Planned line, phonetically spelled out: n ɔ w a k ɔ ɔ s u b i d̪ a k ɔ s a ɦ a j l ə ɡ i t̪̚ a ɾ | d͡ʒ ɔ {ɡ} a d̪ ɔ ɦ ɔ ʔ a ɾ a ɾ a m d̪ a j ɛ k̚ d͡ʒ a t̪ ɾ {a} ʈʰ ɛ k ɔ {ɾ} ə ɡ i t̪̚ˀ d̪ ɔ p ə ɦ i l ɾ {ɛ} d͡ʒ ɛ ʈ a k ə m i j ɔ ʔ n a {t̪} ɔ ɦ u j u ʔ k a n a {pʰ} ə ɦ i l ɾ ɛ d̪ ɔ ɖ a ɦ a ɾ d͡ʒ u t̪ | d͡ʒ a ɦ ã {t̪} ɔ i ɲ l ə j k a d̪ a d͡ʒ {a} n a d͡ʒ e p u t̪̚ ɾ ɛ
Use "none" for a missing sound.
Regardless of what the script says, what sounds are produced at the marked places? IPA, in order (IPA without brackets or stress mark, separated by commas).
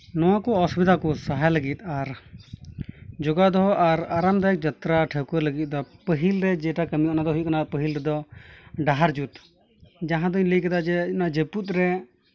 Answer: ɡ, a, l, ɛ, d̪, p, d̪, ɛ